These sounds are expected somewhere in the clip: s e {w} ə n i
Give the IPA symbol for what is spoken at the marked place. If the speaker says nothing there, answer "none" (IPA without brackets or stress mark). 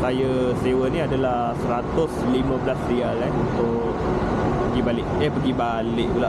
w